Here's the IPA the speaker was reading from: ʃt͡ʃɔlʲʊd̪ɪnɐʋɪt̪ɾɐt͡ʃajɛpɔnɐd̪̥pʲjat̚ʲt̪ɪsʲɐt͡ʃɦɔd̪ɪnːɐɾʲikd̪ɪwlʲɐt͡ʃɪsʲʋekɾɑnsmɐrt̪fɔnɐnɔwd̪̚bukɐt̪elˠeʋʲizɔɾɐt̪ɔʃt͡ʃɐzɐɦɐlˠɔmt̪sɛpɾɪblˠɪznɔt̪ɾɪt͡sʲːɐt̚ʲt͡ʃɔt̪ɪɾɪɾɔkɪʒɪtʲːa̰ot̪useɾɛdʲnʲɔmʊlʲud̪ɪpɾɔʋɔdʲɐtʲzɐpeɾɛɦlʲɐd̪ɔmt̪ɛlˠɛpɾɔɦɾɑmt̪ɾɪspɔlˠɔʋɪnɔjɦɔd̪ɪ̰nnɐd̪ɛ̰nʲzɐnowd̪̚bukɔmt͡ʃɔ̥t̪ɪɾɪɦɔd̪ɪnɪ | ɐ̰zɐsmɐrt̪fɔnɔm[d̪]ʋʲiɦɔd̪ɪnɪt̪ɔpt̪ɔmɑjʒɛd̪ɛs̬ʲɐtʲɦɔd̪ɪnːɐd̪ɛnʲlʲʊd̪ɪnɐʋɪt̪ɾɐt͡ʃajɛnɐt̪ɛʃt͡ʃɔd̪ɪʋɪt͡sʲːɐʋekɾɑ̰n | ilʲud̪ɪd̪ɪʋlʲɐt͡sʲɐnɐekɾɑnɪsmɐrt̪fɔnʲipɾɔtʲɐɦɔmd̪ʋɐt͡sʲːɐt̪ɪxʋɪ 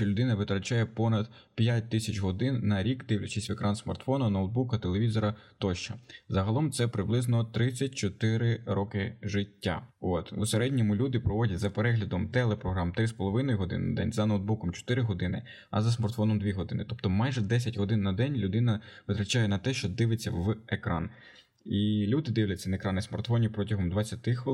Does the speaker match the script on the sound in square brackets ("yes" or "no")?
yes